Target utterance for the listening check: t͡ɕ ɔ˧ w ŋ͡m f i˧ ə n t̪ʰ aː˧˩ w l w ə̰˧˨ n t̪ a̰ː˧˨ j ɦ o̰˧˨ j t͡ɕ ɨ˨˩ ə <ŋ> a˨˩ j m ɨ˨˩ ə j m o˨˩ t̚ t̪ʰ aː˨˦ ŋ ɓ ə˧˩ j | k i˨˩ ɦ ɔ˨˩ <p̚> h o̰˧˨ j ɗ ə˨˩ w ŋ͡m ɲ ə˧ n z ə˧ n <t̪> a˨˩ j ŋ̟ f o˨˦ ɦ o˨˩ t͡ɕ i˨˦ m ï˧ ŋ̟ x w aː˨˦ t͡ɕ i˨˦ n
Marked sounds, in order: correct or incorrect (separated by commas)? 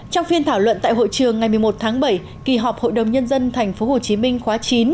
incorrect, correct, incorrect